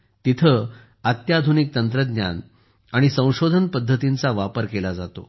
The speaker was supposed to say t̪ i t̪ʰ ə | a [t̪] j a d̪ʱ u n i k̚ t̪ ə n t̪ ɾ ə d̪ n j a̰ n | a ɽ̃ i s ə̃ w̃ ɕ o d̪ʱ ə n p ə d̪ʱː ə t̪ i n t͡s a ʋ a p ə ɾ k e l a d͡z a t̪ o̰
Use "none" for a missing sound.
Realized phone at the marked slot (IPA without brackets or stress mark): t̪